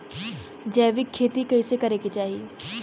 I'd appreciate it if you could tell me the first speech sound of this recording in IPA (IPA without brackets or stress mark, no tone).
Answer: d͡ʒ